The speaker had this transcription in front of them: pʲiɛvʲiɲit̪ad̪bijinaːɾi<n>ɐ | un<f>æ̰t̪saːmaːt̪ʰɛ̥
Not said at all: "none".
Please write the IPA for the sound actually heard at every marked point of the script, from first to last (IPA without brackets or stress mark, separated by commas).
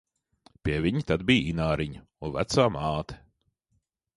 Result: ɲ, v